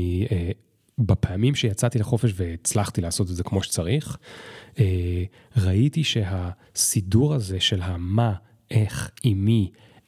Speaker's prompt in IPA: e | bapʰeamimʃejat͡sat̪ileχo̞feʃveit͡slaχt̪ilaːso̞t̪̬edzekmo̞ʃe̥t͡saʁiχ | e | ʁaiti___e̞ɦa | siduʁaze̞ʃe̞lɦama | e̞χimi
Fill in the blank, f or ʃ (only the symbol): ʃ